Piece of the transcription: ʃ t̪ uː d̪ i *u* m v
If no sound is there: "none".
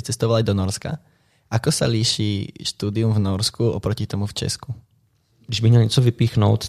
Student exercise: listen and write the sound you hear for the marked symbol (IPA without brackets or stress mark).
u